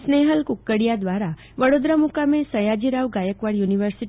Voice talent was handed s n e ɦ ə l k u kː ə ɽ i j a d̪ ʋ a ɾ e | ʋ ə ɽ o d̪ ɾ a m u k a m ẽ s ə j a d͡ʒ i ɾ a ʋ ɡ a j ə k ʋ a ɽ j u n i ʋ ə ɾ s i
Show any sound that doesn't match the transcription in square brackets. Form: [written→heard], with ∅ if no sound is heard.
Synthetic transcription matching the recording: s n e ɦ ə l k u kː ə ɽ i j a d̪ ʋ a ɾ [e→a] | ʋ ə ɽ o d̪ ɾ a m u k a m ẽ s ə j a d͡ʒ i ɾ a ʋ ɡ a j ə k ʋ a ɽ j u n i ʋ ə ɾ s i